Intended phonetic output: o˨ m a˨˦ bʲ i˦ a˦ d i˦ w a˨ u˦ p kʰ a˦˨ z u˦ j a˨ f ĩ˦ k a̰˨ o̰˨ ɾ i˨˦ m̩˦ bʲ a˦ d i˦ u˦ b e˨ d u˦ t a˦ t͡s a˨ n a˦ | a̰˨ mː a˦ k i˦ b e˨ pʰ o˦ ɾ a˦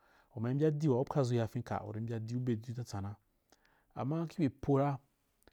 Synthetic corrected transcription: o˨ m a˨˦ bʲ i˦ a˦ d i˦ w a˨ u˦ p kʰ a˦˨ z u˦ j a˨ f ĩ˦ k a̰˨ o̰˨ ɾ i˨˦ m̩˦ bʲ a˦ d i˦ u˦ b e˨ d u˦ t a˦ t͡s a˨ n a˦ | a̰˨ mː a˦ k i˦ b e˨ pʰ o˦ ɾ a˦